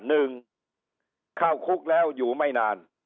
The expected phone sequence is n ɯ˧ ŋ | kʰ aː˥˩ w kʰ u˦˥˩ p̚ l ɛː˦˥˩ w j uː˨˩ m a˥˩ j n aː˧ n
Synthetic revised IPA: n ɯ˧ ŋ | kʰ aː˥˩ w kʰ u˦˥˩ k̚ l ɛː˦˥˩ w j uː˨˩ m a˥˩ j n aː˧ n